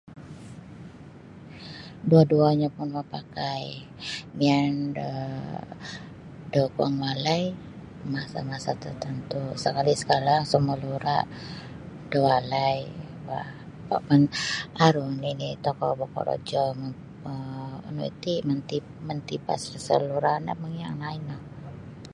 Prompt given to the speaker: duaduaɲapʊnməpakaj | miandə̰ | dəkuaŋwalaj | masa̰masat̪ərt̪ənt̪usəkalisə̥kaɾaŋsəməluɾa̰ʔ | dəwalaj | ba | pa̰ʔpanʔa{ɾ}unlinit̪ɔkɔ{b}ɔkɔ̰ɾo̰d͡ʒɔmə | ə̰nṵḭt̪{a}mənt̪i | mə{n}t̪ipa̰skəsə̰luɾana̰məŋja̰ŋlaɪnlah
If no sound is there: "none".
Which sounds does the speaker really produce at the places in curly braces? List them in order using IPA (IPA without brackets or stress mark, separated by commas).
ɾ, b, i, n